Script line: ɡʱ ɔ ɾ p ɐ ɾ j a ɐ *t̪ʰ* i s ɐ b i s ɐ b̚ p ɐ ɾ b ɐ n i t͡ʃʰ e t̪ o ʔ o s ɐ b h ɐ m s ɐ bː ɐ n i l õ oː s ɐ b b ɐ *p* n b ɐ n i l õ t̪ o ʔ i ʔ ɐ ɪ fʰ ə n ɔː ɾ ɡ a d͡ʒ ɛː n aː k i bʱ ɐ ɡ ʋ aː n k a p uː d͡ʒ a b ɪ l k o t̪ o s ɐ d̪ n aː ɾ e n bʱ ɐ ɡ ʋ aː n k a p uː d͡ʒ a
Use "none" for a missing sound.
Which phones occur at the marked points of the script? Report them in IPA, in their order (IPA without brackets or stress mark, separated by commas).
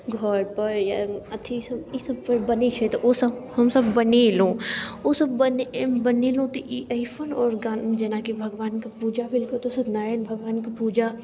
t̪ʰ, none